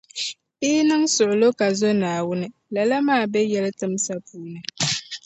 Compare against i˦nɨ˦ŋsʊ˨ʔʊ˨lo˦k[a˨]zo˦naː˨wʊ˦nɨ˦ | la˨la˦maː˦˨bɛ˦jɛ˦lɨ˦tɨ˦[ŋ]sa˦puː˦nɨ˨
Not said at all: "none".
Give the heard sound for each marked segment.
a˨, m

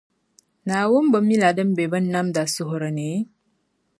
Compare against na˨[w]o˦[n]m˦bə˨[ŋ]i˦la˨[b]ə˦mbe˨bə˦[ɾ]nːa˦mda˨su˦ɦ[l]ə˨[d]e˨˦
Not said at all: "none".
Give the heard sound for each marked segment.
w, none, m, d, none, ɾ, n

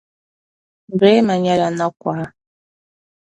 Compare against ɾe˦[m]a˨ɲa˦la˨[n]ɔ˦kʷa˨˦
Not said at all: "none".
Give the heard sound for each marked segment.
m, n

